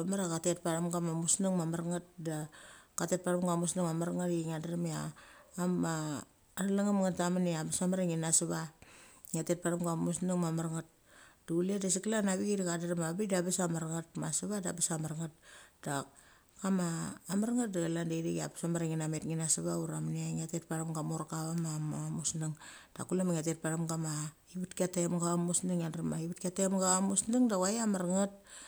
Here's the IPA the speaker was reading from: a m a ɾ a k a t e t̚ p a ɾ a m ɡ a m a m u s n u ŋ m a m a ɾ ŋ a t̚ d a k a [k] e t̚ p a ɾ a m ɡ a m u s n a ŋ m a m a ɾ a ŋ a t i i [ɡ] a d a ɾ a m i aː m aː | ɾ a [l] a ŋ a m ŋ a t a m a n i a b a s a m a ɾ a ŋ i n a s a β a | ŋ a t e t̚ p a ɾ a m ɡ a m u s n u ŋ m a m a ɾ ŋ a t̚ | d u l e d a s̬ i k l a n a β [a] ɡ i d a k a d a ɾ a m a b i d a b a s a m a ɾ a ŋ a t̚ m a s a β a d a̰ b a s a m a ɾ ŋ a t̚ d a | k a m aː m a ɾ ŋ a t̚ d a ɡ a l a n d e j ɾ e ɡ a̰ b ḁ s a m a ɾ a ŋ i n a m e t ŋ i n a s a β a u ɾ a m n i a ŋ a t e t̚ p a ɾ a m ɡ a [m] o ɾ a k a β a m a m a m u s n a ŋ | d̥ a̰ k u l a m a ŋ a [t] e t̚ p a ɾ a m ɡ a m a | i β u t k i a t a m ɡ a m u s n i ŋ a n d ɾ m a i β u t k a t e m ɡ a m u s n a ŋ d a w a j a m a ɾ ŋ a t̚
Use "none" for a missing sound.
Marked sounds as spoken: t, ŋ, l, i, m, t

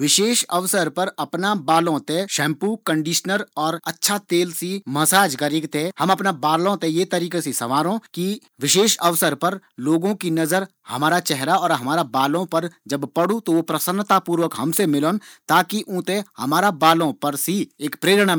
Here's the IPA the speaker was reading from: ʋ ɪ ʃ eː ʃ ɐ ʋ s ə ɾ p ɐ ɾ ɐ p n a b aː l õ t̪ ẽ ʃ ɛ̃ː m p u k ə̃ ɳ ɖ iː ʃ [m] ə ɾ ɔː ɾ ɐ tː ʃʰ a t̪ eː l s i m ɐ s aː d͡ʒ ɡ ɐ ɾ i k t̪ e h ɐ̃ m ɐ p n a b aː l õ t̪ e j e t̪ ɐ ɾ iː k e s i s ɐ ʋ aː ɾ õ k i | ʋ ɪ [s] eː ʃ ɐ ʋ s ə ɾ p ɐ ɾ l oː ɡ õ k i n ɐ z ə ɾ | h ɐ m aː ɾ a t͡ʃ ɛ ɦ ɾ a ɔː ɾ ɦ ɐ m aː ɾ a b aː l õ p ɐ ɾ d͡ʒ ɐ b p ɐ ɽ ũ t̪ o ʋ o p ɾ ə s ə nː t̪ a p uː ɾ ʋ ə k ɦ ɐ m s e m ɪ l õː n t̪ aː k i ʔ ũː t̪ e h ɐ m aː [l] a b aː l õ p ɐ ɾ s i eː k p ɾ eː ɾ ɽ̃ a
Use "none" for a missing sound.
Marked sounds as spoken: n, ʃ, ɾ

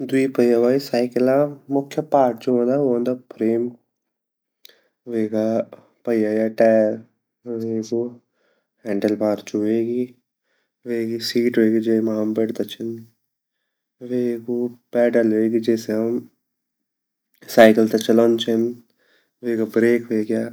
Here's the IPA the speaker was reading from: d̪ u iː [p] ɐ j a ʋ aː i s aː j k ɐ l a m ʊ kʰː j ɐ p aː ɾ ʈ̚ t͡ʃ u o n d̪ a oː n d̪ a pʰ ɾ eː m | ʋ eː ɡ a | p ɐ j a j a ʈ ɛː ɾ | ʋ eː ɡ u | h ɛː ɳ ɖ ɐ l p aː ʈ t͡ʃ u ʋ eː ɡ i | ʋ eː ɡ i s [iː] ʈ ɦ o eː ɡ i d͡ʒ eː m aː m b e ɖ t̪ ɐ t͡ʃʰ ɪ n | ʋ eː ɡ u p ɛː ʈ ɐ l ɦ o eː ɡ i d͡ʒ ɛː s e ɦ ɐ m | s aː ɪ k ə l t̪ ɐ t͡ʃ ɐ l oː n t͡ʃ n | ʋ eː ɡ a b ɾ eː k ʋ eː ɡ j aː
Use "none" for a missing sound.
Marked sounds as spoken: p, iː

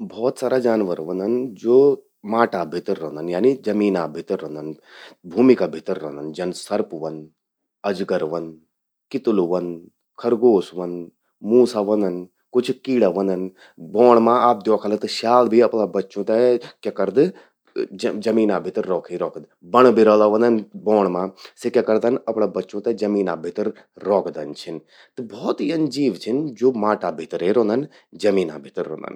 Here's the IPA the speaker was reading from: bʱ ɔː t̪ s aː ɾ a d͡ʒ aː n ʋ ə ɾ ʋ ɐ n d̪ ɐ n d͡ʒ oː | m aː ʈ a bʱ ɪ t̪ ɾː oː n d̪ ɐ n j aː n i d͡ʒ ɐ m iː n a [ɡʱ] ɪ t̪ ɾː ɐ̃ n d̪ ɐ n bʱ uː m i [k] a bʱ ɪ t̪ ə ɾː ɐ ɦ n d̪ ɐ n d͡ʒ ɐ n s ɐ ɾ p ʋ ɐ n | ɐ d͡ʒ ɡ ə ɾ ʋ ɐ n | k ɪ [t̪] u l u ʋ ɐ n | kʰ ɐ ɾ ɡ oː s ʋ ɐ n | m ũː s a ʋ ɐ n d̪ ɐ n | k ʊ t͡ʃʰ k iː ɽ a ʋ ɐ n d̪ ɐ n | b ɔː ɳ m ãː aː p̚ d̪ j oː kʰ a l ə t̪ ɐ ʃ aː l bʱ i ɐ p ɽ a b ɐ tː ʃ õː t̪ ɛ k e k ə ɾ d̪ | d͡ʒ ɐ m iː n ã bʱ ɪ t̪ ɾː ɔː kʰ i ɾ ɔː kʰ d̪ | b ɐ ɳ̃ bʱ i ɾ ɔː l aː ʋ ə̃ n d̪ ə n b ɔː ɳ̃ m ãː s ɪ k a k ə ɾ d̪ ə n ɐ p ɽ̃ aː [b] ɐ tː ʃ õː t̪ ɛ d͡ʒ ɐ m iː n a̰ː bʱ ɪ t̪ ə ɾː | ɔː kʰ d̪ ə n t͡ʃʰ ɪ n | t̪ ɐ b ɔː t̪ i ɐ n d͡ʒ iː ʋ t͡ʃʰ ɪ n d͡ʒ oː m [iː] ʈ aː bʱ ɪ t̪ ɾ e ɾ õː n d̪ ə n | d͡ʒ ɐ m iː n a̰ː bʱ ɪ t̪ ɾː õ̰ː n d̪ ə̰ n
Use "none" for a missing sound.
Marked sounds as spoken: bʱ, k, t̪, b, aː

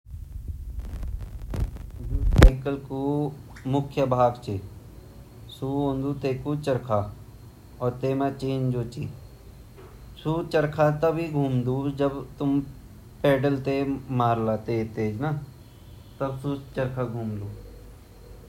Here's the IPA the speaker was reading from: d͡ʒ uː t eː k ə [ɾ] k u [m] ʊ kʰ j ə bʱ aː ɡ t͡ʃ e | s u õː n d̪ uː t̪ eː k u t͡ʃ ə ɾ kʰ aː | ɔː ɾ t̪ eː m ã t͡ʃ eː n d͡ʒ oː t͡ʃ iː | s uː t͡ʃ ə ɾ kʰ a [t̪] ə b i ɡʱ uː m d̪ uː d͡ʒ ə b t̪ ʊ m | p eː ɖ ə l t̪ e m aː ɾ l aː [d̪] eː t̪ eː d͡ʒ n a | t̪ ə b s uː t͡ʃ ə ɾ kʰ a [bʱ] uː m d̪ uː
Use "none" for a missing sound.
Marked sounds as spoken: l, m, t̪, t̪, ɡʱ

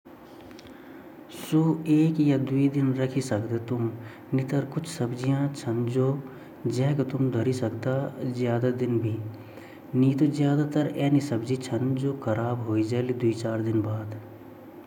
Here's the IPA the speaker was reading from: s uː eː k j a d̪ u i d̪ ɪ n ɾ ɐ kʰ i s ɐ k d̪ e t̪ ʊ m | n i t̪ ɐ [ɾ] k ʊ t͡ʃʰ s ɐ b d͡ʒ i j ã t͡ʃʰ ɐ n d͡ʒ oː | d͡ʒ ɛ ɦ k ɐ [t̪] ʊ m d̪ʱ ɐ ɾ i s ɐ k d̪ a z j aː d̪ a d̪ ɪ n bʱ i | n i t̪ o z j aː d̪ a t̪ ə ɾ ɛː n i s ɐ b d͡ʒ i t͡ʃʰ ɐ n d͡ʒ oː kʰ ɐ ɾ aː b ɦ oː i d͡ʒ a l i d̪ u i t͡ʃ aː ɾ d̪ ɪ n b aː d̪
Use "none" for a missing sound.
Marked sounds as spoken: ɾ, t̪

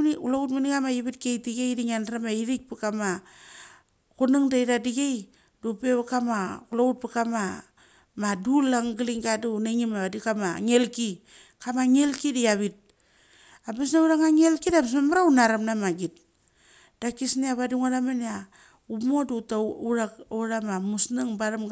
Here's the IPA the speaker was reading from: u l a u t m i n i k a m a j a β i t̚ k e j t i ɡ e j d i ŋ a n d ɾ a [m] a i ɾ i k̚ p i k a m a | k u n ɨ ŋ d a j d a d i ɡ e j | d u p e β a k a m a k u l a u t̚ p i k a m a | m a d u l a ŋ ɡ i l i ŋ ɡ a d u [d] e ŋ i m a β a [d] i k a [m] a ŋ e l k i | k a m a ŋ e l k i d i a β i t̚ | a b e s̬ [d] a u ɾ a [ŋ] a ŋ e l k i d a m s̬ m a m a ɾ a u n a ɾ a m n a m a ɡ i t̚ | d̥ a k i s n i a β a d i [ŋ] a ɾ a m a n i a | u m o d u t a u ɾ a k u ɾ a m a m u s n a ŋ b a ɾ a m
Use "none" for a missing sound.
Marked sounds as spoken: m, n, d, m, n, ŋ, ŋ

